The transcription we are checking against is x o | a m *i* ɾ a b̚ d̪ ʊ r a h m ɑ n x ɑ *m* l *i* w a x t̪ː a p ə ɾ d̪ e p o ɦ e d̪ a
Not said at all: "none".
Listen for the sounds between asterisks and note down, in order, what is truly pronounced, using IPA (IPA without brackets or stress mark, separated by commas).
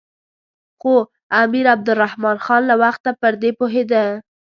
i, n, a